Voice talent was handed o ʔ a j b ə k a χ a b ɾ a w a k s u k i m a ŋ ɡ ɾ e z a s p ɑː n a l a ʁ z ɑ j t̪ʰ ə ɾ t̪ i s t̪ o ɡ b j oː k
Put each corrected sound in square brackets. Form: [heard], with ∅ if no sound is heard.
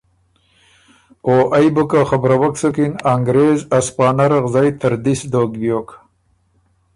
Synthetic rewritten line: o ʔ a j b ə k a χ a b ɾ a w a k s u k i [n] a ŋ ɡ ɾ e z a s p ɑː n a [ɾ] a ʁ z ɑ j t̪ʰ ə ɾ [d̪] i s [d̪] o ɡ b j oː k